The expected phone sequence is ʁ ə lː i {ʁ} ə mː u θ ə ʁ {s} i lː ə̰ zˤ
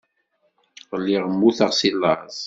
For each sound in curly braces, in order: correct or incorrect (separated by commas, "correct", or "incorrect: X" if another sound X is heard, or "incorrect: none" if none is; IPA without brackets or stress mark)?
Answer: correct, correct